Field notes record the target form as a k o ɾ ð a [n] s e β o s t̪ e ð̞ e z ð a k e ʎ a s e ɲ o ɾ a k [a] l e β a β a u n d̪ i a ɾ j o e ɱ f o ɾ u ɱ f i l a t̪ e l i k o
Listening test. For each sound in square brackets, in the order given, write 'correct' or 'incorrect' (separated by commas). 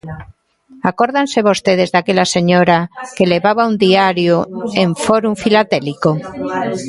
correct, incorrect